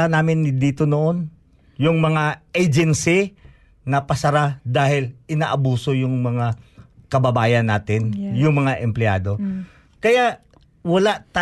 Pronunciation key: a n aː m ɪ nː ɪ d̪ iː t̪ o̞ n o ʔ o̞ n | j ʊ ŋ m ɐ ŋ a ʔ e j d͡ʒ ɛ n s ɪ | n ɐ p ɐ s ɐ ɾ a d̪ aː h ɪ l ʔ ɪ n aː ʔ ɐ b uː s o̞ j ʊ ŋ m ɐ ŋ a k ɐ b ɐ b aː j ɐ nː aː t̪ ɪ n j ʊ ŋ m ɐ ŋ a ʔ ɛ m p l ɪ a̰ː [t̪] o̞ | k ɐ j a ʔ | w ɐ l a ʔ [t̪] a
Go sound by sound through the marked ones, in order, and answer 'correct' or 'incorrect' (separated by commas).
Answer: incorrect, correct